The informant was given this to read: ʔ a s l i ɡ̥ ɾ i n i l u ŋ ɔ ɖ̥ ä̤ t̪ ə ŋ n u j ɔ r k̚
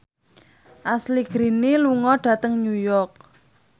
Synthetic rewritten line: ʔ a s l i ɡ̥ ɾ i n i l u ŋ ɔ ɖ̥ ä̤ t̪ ə ŋ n u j ɔ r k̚

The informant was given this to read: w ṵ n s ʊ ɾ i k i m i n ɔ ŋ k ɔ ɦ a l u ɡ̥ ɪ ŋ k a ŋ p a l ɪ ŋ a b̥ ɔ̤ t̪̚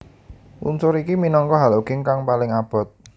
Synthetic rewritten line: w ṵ n s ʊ ɾ i k i m i n ɔ ŋ k ɔ ɦ a l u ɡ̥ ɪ ŋ k a ŋ p a l ɪ ŋ a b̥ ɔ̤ t̪̚

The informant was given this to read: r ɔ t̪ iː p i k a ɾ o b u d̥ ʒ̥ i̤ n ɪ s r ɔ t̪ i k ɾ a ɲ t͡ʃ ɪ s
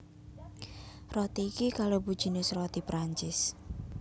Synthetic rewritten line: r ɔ t̪ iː k i k a l o b u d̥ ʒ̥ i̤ n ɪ s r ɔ t̪ i p ɾ a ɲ t͡ʃ ɪ s

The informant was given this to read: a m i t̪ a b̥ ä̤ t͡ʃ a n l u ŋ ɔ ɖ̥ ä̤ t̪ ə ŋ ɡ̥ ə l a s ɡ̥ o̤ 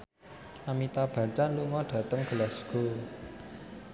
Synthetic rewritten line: a m i t̪ a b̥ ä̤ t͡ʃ a n l u ŋ ɔ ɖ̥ ä̤ t̪ ə ŋ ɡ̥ ə l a s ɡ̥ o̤

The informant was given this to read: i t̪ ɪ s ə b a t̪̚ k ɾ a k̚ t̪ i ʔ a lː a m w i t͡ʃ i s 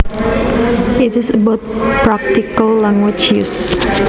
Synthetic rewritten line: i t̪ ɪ s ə b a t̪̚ p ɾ a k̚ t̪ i k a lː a ŋ w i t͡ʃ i s

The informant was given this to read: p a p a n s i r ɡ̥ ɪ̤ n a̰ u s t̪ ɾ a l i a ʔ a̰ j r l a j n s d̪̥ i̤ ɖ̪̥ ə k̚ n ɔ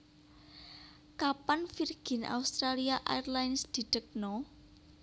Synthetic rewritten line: k a p a n f i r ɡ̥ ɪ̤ n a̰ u s t̪ ɾ a l i a ʔ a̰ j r l a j n s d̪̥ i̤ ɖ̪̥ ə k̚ n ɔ

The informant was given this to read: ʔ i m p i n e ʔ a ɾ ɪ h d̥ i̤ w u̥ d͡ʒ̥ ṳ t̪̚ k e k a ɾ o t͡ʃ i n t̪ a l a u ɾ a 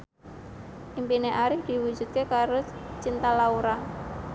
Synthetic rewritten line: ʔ i m p i n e ʔ a ɾ ɪ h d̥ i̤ w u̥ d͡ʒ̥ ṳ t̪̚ k e k a ɾ o t͡ʃ i n t̪ a l a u ɾ a

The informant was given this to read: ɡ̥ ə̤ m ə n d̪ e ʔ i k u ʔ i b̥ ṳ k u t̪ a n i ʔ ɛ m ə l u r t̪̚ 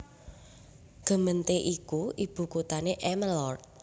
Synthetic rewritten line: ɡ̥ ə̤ m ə n t̪ e ʔ i k u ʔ i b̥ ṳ k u t̪ a n e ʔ ɛ m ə l ɔ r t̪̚

